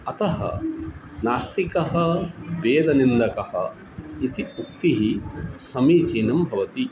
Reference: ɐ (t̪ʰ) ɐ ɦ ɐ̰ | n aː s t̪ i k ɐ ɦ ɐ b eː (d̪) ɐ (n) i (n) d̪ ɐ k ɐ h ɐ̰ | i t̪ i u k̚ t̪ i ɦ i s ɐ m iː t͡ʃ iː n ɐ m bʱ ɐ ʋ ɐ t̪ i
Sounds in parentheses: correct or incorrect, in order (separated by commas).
incorrect, correct, correct, correct